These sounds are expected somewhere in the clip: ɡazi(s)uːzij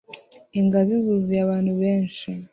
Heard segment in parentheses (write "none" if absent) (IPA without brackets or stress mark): z